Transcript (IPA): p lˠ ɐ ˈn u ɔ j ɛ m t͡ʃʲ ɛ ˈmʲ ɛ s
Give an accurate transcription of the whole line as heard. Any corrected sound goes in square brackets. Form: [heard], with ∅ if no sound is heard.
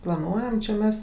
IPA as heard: p lˠ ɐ ˈn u ɔ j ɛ m t͡ʃʲ ɛ ˈmʲ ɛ s